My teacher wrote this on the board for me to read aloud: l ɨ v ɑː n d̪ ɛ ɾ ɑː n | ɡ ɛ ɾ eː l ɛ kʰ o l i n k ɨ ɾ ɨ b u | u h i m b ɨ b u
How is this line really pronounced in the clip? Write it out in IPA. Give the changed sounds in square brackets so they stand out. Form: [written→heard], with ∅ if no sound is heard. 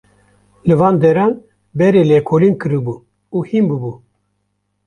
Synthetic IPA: l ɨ v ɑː n d̪ ɛ ɾ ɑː n | [ɡ→b] ɛ ɾ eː l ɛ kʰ o l i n k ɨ ɾ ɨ b u | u h i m b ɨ b u